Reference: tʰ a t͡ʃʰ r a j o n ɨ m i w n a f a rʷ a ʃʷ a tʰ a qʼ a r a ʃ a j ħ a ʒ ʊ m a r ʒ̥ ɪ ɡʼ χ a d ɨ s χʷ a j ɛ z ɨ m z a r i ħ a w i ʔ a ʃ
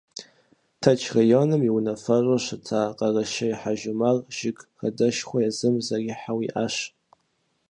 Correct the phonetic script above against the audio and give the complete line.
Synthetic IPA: tʰ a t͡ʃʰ r a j o n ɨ m i w n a f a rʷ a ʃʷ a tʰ a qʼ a r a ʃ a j ħ a ʒ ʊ m a r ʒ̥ ɪ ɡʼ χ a d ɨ ʃ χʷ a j a z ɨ m z a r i ħ a w i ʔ a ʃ